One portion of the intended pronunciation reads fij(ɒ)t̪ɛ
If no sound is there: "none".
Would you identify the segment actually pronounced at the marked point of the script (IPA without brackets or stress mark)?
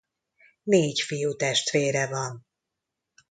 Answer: u